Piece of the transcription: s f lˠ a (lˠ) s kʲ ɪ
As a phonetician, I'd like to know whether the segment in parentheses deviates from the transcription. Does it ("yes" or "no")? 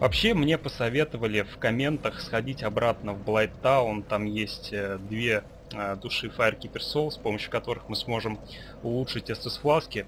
yes